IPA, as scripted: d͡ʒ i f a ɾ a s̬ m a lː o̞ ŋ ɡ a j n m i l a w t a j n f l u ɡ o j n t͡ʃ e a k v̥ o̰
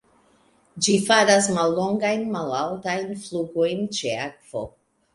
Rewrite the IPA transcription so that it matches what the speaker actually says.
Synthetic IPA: d͡ʒ i f a ɾ a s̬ m a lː o̞ ŋ ɡ a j n m a l a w t a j n f l u ɡ o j n t͡ʃ e a k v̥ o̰